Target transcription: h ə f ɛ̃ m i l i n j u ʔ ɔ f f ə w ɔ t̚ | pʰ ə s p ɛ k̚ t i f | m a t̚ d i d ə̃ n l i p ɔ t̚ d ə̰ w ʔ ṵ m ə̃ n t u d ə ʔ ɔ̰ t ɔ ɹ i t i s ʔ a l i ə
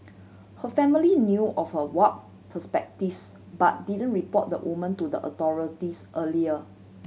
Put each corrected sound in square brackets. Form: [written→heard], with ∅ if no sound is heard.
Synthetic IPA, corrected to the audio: h ə f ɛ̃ m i l i n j u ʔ ɔ f [f→h] ə w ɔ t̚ | pʰ ə s p ɛ k̚ t i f | [m→b] a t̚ d i d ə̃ n [l→ɹ] i p ɔ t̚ d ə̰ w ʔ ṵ m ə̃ n t u d ə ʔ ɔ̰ t ɔ ɹ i t i s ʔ [a→ə] l i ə